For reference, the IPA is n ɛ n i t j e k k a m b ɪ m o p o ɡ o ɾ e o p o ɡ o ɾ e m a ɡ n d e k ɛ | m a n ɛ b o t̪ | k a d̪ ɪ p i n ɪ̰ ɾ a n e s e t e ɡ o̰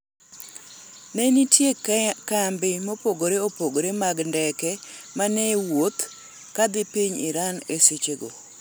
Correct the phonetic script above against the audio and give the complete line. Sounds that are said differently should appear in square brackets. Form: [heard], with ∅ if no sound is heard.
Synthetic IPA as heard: n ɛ n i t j e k k a m b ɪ m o p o ɡ o ɾ e o p o ɡ o ɾ e m a ɡ n d [ɛ] k ɛ | m a n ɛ [w] o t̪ | k a d̪ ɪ p i [ɲ] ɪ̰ ɾ a n e s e [t͡ʃ] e ɡ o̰

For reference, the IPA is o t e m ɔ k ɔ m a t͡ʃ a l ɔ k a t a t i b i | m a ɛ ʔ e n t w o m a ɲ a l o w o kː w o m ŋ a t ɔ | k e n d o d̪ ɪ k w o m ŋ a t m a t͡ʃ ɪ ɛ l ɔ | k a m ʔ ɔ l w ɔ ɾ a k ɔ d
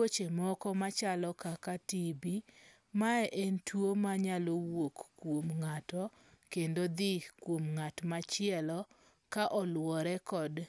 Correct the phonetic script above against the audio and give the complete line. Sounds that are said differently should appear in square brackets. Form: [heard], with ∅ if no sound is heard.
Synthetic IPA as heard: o [t͡ʃ] e m ɔ k ɔ m a t͡ʃ a l ɔ k a [k] a t i b i | m a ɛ ʔ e n t w o m a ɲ a l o w o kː w o m ŋ a t ɔ | k e n d o d̪ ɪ k w o m ŋ a t m a t͡ʃ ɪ ɛ l ɔ | k a [∅] ʔ ɔ l w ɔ ɾ [ɛ] k ɔ d

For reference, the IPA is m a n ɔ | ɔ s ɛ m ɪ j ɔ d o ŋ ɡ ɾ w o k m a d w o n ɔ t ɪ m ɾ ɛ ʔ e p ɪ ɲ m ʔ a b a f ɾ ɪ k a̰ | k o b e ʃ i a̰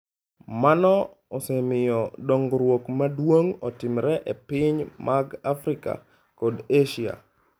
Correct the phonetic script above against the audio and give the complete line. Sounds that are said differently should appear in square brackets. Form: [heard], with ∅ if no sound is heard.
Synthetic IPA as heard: m a n ɔ | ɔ s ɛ m ɪ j ɔ d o ŋ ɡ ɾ w o k m a d w o [ŋ] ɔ t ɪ m ɾ ɛ ʔ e p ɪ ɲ m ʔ a [ɡ] a f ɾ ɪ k a̰ | k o [d] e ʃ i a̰

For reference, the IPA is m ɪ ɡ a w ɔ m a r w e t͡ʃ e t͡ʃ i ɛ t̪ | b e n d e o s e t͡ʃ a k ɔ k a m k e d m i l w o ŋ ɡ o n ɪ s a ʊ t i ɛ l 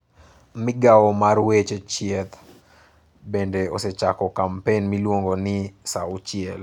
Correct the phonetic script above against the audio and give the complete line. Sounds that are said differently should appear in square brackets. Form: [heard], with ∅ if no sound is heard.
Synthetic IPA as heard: m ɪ ɡ a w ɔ m a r w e t͡ʃ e t͡ʃ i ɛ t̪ | b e n d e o s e t͡ʃ a k ɔ k a m [p] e [n] m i l w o ŋ ɡ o n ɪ s a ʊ [t͡ʃ] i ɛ l

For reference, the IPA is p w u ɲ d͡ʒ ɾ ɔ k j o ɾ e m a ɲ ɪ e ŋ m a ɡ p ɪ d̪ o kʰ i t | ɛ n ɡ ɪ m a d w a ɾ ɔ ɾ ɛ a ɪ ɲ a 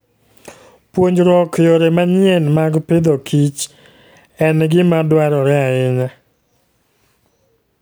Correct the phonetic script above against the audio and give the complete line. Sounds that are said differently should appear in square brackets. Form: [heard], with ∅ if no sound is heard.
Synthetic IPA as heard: p w [o] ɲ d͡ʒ ɾ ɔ k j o ɾ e m a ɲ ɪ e [n] m a ɡ p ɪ d̪ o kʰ i [t͡ʃ] | ɛ n ɡ ɪ m a d w a ɾ ɔ ɾ ɛ a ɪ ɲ a

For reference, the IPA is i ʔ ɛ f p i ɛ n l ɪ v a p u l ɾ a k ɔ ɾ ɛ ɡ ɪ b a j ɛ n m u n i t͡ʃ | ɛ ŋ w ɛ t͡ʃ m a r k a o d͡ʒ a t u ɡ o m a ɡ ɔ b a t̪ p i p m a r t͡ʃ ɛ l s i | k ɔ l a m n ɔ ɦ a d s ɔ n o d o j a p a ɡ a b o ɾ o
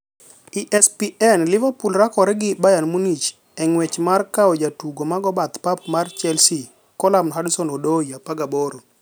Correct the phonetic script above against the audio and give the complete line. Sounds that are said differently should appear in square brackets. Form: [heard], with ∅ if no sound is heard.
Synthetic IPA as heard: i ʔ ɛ [s] p i ɛ n l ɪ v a p u l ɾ a k ɔ ɾ ɛ ɡ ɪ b a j [a] n m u n i t͡ʃ | ɛ ŋ w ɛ t͡ʃ m a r k a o d͡ʒ a t u ɡ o m a ɡ ɔ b a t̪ p [a] p m a r t͡ʃ ɛ l s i | k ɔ l a m n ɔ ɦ a d s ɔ n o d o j a p a ɡ a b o ɾ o

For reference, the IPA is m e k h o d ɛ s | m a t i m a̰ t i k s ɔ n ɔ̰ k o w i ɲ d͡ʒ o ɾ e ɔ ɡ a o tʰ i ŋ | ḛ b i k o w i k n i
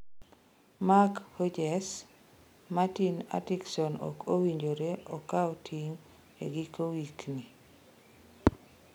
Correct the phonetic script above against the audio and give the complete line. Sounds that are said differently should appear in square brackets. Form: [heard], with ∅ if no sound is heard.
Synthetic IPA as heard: m [a] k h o [d͡ʒ] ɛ s | m a t i [n] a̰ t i k s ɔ n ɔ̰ k o w i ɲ d͡ʒ o ɾ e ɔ [k] a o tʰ i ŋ | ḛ [ɡ] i k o w i k n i

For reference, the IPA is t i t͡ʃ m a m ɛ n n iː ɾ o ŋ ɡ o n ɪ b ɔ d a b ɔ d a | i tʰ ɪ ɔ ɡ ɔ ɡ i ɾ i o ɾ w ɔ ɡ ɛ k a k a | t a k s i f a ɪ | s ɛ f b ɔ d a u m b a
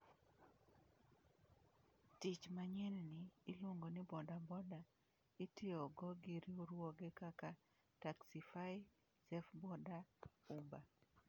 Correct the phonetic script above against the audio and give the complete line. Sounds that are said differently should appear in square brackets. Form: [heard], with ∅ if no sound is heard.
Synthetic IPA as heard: t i t͡ʃ m a [ɲ] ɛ n n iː [l] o ŋ ɡ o n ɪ b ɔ d a b ɔ d a | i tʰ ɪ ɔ ɡ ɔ ɡ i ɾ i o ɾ w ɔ ɡ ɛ k a k a | t a k s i f a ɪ | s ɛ f b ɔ d a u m b a

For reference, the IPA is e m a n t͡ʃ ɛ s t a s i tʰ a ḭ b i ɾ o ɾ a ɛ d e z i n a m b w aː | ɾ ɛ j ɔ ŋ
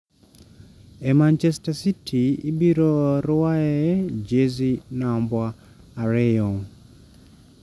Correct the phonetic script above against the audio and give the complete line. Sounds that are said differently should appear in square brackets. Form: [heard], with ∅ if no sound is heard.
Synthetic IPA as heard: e m a n t͡ʃ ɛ s t a s i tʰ [i] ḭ b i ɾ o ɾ a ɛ [d͡ʒ] e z i n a m b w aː | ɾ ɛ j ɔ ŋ

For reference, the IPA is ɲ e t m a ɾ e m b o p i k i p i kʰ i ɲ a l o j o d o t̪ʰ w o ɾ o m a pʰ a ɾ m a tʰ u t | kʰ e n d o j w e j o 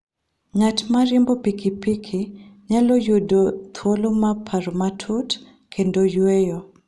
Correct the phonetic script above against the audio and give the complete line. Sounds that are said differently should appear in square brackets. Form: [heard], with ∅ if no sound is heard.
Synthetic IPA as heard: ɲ [a] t m a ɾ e m b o p i k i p i kʰ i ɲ a l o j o d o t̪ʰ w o [l] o m a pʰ a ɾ m a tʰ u t | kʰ e n d o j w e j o

